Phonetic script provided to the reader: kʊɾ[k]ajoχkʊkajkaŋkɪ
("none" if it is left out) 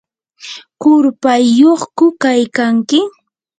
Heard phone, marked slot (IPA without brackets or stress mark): p